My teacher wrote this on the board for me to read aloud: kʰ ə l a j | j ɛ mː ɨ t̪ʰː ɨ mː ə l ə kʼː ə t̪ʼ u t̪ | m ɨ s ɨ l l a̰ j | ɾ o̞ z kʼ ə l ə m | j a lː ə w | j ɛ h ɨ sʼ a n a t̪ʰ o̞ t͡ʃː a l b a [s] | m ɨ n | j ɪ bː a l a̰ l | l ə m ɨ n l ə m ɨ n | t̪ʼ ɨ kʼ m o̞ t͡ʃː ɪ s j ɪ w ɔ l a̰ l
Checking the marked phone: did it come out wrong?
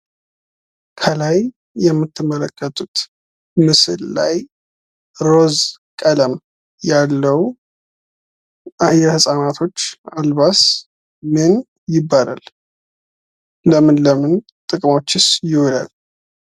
no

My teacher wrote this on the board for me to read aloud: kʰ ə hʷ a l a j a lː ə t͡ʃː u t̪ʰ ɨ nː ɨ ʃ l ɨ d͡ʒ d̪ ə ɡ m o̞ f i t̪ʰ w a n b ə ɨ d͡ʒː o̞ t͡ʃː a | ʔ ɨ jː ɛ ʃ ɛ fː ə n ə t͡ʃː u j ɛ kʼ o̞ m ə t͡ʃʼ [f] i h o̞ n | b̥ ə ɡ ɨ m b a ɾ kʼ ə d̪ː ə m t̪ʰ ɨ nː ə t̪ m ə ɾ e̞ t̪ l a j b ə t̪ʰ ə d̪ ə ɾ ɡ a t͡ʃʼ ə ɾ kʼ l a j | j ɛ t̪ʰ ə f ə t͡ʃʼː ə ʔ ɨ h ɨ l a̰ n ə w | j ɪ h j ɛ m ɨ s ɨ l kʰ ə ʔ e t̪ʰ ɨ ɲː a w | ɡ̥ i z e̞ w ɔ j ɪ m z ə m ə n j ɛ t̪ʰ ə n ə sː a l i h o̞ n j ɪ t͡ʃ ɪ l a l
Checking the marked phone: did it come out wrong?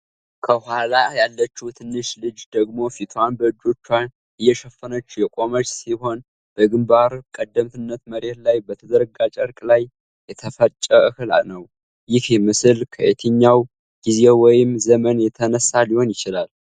yes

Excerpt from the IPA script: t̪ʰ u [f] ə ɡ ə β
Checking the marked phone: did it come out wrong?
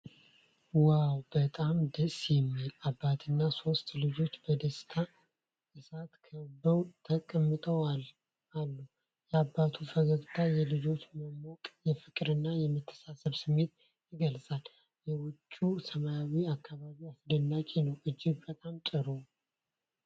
no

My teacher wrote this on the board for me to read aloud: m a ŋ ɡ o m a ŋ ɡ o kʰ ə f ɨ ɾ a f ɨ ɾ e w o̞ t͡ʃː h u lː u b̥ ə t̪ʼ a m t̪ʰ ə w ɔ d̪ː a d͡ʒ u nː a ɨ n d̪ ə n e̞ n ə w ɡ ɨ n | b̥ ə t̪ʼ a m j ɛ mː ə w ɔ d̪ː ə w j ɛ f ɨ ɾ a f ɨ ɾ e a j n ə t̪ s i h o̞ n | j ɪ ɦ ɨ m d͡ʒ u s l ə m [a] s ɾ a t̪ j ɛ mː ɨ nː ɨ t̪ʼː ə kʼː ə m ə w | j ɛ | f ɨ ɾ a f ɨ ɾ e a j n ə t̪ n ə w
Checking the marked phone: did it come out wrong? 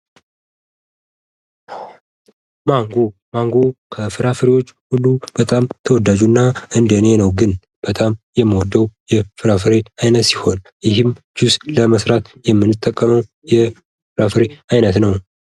yes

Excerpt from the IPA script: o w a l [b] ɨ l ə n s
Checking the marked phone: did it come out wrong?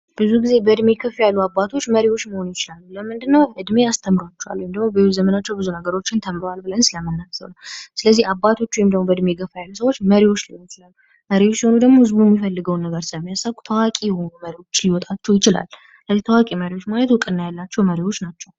no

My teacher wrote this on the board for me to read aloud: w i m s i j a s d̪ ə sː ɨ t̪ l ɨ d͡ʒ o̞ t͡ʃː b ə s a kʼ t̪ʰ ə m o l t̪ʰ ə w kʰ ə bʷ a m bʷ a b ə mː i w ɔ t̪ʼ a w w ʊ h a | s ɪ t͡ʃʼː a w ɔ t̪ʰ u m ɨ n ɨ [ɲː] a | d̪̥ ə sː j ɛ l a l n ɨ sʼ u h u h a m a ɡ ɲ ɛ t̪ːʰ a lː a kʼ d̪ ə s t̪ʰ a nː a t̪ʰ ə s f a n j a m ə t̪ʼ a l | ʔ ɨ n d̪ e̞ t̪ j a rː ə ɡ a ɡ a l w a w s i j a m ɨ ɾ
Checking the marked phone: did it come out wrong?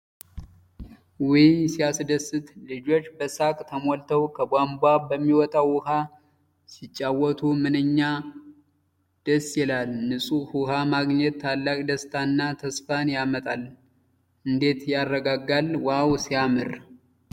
no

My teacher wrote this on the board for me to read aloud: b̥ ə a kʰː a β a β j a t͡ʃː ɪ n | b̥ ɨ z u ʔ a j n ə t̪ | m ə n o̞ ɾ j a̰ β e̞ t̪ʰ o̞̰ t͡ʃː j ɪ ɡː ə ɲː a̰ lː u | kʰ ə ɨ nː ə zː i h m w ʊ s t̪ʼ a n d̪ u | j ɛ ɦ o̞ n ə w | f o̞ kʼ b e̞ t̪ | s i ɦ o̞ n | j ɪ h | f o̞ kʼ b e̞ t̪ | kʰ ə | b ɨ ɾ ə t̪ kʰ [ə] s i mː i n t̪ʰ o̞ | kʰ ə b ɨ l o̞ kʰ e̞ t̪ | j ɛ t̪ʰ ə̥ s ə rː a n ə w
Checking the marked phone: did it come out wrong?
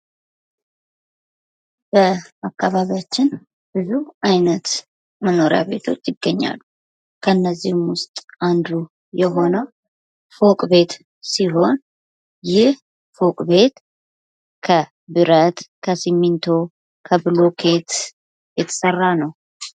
no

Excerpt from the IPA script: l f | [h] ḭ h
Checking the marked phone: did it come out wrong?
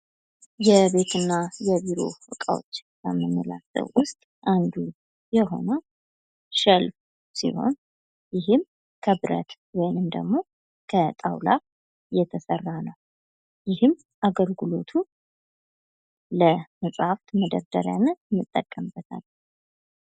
yes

